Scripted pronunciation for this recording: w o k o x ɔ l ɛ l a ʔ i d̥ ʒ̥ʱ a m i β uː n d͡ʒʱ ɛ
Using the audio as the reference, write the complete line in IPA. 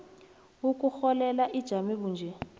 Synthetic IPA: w u k u x ɔ l ɛ l a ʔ i d̥ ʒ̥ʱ a m i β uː n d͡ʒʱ ɛ